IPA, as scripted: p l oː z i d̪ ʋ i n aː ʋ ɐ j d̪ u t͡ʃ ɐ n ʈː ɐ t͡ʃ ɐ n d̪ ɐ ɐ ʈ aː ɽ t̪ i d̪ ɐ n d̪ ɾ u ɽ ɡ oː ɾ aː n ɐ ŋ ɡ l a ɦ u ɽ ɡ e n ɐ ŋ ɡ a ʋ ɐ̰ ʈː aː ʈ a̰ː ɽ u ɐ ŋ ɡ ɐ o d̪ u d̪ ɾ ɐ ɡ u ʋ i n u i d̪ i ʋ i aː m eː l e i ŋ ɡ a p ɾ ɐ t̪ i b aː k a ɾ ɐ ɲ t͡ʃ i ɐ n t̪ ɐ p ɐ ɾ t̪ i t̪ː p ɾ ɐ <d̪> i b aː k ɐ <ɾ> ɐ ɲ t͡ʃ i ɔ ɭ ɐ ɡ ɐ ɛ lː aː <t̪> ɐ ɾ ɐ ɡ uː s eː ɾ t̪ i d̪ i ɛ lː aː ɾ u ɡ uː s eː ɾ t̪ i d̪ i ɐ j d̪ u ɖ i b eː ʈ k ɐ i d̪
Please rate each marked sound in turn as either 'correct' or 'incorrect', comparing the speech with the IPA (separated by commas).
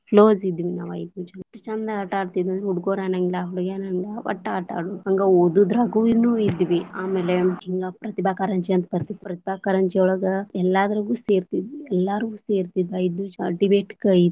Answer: incorrect, correct, incorrect